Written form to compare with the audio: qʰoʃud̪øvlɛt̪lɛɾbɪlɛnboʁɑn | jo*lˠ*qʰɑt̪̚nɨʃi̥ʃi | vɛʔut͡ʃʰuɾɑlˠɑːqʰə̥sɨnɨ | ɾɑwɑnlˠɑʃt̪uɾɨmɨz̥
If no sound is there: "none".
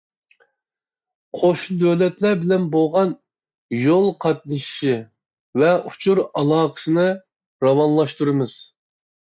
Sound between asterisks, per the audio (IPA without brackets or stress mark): lˠ